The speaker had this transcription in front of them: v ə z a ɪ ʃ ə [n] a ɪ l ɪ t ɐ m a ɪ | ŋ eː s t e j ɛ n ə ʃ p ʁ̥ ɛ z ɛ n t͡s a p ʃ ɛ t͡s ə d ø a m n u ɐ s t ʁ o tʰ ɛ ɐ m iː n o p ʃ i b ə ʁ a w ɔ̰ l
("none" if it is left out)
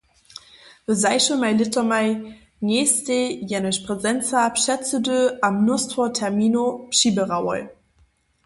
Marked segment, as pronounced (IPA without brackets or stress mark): m